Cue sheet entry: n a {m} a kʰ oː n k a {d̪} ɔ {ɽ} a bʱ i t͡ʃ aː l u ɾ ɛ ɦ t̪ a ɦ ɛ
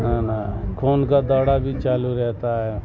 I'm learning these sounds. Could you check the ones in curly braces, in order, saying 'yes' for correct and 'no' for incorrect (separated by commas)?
no, yes, yes